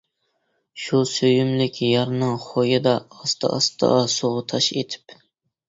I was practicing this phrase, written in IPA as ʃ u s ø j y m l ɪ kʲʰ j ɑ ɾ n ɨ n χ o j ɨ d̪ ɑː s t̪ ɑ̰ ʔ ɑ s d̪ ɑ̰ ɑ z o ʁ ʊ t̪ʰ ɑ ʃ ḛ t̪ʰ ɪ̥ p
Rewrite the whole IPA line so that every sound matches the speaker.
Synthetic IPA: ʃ u s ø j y m l ɪ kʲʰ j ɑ ɾ n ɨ ŋ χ o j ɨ d̪ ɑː s t̪ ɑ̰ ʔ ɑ s t̪ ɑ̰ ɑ s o ʁ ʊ t̪ʰ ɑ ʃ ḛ t̪ʰ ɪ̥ p